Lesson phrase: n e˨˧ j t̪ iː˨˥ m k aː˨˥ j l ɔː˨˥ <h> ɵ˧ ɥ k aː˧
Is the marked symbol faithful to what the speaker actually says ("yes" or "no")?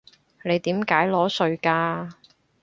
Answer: no